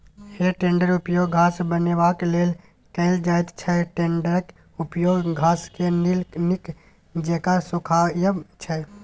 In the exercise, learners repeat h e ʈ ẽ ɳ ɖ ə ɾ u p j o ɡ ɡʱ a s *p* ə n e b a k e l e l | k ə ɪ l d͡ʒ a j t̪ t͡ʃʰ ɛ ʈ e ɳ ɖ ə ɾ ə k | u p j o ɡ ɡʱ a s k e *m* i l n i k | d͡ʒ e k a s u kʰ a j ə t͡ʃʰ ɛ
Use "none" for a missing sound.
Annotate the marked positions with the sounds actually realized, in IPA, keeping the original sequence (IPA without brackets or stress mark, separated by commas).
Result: b, n